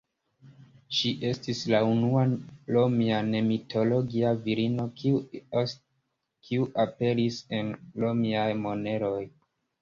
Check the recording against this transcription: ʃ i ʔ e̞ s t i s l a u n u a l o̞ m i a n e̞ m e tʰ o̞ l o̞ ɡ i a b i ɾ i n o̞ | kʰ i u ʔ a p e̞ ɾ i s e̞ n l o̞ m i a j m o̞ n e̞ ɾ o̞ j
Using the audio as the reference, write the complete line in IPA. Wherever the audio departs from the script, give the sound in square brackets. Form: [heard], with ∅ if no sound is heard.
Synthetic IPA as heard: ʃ i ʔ e̞ s t i s l a u n u a l o̞ m i a n e̞ m [i] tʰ o̞ l o̞ ɡ i a [v] i ɾ i n o̞ | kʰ i u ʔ a p e̞ ɾ i s e̞ n l o̞ m i a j m o̞ n e̞ ɾ o̞ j